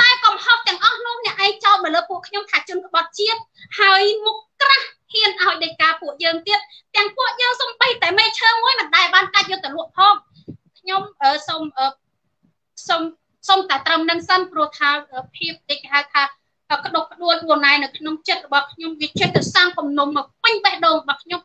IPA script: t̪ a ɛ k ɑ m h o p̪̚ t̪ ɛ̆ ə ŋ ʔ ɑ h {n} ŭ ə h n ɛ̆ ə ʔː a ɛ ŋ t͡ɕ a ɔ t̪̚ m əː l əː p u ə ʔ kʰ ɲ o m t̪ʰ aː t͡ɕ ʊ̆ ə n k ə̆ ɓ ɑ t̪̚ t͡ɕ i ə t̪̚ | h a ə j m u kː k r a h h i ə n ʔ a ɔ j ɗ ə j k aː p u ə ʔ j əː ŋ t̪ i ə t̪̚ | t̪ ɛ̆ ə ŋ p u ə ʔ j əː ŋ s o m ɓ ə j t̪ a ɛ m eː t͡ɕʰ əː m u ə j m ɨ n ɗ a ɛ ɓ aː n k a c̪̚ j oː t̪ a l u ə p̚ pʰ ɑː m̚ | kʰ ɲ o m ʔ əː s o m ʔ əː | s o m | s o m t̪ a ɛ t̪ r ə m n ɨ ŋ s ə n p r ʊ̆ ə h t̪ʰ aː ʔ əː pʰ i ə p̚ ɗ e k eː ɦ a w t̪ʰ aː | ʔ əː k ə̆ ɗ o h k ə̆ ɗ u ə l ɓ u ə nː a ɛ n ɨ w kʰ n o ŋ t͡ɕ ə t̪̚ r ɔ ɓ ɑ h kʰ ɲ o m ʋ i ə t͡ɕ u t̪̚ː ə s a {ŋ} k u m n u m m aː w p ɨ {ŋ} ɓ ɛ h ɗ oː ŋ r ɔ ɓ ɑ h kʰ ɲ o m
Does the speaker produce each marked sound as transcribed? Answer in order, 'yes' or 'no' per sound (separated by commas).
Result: yes, yes, no